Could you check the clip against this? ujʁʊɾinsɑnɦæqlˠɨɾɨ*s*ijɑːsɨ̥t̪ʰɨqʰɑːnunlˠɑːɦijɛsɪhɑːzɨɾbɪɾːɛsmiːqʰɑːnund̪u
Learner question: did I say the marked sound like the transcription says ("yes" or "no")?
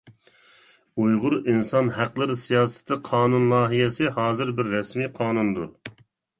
yes